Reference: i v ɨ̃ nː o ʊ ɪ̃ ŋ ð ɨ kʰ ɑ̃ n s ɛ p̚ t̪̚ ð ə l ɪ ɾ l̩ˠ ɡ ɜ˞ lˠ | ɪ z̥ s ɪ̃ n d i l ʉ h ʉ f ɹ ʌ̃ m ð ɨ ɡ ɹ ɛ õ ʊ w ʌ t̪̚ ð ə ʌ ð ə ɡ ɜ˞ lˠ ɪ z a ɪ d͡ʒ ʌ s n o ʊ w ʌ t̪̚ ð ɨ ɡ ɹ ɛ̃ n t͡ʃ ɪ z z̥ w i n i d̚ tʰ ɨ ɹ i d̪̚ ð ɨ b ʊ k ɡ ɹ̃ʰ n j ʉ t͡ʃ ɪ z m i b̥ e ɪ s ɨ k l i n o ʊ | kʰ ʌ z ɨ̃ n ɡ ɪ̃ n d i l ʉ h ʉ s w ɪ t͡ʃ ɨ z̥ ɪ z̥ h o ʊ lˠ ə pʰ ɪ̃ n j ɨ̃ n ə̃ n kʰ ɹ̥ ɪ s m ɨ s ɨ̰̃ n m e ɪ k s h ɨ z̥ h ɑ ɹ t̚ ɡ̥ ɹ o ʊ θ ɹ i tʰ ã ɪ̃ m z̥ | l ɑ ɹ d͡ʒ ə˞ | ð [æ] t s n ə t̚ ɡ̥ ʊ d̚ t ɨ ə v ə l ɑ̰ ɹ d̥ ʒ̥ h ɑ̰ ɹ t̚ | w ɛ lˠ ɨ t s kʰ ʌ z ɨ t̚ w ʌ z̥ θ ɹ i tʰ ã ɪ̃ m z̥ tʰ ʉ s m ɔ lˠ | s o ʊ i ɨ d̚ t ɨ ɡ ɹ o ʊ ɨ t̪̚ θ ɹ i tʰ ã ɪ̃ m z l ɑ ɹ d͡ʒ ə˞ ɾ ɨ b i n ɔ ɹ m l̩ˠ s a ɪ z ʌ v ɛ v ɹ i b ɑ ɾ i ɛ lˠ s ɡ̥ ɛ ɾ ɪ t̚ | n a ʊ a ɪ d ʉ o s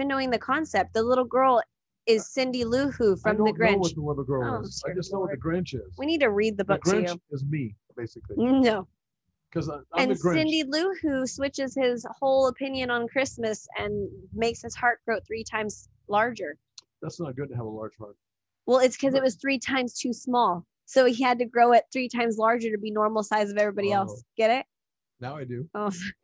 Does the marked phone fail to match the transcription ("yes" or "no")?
no